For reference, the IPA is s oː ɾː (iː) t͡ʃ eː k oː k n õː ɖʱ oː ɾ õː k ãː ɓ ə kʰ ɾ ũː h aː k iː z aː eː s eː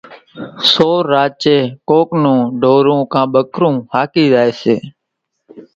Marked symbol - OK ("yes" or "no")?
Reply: no